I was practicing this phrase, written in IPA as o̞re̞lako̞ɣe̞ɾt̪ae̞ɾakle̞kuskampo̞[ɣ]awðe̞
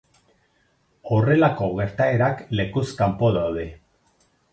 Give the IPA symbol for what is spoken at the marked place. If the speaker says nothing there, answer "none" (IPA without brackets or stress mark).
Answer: ð